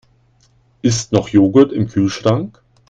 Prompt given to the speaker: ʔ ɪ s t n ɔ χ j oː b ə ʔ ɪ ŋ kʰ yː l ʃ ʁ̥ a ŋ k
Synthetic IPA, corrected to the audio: ʔ ɪ s t n ɔ χ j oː ɡ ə t ɪ m kʰ yː l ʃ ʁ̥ a ŋ k